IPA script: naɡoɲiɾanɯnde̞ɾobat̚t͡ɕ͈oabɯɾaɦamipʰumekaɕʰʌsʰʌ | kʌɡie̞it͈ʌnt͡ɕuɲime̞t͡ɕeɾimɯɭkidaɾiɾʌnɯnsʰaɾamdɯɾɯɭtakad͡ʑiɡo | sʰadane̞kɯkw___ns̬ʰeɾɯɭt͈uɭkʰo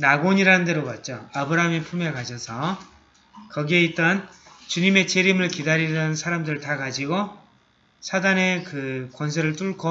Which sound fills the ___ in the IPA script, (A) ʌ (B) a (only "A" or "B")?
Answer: A